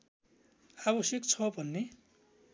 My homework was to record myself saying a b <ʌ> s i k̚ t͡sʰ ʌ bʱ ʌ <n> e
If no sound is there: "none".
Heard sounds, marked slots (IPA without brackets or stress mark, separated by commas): ʌ, nː